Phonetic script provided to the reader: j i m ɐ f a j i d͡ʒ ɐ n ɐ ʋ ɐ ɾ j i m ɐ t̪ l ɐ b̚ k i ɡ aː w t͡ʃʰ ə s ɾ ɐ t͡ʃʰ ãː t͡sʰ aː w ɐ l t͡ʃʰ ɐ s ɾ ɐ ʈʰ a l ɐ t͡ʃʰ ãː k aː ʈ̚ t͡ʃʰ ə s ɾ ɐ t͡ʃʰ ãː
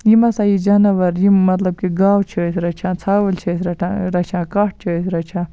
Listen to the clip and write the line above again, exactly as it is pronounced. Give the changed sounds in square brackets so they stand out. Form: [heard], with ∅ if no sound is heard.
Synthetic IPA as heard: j i m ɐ [s] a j i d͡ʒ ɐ n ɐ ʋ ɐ ɾ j i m ɐ t̪ l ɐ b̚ k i ɡ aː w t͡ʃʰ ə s ɾ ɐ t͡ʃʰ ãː t͡sʰ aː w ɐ l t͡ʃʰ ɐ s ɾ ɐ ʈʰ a [ɾ] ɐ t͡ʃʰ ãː k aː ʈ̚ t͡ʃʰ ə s ɾ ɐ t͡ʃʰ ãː